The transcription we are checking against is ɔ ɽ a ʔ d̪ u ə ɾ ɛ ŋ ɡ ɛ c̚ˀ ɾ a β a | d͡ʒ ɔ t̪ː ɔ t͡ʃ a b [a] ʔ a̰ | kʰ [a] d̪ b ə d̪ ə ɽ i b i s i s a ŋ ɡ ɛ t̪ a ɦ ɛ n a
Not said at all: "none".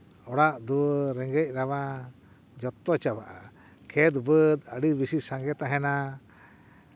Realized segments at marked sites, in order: a, ɛ

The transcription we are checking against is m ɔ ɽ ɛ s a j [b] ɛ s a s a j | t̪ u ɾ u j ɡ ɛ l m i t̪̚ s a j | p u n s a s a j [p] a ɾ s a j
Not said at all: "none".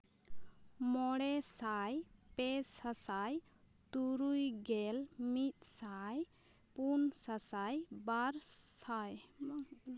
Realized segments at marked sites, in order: p, b

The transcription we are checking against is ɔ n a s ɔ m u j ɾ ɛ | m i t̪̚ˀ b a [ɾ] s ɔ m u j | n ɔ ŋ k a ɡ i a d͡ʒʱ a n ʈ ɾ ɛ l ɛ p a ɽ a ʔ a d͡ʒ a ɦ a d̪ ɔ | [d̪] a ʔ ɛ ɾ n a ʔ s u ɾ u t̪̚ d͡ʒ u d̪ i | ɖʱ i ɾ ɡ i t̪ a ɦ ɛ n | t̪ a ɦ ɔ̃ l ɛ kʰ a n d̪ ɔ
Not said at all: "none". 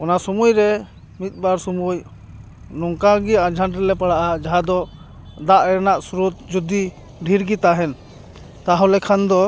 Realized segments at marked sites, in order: ɾ, d̪

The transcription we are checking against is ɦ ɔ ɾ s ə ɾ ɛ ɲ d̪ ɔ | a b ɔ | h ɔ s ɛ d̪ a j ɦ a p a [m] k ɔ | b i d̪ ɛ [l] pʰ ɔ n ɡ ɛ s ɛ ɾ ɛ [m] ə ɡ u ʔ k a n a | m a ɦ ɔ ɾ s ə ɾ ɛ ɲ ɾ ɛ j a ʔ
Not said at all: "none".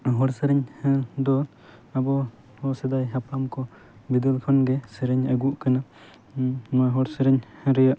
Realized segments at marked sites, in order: m, l, ɲ

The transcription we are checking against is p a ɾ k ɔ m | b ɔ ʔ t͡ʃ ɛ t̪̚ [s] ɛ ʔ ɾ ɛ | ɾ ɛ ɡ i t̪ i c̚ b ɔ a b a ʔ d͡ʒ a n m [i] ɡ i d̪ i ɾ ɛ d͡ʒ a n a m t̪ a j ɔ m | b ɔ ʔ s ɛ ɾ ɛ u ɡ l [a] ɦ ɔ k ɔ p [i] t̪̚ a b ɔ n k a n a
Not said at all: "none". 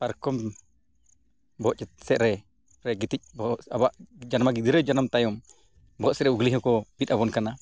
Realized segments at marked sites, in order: s, a, i, i

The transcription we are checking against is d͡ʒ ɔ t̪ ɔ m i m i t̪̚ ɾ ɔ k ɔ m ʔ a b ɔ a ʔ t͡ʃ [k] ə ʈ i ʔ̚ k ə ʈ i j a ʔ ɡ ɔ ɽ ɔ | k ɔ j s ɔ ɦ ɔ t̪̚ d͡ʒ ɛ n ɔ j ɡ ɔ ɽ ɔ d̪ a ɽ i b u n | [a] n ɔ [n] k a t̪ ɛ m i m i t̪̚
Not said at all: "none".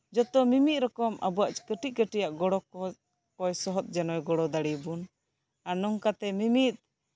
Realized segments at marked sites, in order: k, a, ŋ

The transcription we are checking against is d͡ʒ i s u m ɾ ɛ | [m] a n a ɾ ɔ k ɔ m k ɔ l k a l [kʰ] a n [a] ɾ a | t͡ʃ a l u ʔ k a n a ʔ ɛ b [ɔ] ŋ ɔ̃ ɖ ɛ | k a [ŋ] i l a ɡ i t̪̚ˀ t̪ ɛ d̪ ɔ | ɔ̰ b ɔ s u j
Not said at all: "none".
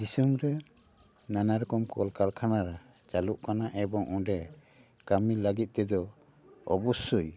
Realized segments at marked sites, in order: n, kʰ, a, ɔ, m

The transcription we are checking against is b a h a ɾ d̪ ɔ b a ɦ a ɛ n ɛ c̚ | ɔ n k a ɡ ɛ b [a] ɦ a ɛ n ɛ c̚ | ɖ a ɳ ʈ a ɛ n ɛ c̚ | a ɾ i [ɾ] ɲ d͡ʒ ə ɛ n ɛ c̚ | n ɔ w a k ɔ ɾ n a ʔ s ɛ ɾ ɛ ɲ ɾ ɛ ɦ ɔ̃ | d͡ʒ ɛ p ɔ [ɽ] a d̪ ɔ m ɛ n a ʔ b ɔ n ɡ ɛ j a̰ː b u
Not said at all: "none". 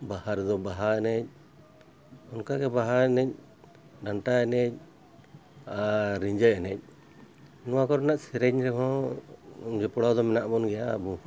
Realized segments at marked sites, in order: a, none, ɽ

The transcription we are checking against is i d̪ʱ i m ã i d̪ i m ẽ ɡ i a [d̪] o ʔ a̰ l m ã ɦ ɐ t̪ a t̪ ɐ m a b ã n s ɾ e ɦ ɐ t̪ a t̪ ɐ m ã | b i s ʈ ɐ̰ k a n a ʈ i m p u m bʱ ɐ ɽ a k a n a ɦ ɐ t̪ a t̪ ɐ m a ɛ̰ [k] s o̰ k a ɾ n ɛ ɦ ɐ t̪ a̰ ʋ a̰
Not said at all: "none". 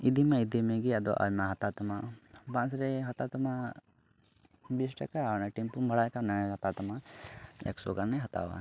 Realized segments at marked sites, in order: d̪, k

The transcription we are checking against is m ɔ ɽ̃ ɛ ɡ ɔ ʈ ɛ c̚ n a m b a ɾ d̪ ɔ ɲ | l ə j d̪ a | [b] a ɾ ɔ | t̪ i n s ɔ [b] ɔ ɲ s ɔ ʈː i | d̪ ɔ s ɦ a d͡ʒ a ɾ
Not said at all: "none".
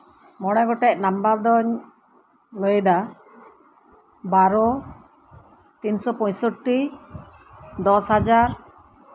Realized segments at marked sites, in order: b, p

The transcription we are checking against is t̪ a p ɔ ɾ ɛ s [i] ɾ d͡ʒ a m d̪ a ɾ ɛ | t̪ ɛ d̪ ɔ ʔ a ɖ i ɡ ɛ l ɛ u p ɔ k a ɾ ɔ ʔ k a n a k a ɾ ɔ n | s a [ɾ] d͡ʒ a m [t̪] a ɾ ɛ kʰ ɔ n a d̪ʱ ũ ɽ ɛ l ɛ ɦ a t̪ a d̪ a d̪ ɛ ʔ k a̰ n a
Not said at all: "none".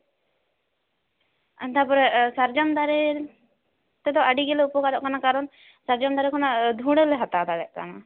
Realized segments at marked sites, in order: a, ɾ, d̪

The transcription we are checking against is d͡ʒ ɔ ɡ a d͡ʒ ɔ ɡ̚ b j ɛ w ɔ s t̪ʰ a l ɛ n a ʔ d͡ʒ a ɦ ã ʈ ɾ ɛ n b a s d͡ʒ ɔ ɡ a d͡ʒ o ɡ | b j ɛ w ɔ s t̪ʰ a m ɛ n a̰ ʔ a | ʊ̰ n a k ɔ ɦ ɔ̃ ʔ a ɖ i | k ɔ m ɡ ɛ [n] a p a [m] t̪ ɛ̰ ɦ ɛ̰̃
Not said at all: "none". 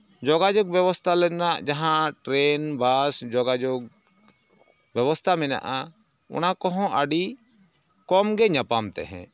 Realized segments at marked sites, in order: ɲ, m

